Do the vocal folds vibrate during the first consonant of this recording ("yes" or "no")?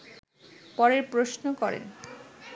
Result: no